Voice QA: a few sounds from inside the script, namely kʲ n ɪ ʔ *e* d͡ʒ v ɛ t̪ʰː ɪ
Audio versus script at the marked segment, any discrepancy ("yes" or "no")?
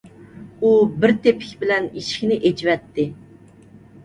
no